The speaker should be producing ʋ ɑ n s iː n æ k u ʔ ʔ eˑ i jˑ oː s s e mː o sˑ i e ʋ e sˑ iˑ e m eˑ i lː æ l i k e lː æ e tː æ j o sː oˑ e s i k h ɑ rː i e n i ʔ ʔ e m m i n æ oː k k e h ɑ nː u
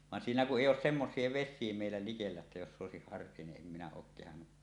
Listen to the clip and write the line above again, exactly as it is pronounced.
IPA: ʋ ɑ n s iː n æ k u ʔ ʔ eˑ i jˑ oː s s e mː o sˑ i e ʋ e sˑ iˑ e m eˑ i lː æ l i k e lː æ e tː æ j o sː oˑ e s i k h ɑ rː i e n i ʔ ʔ e m m i n æ oː k k e h ɑ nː u